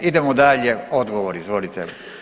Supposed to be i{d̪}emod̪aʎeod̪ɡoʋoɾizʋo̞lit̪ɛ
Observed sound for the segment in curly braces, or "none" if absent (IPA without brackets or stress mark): d̪